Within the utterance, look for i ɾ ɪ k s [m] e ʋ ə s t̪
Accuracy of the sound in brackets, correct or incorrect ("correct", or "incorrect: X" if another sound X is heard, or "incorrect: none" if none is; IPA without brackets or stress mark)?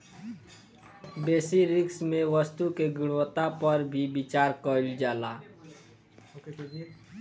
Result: correct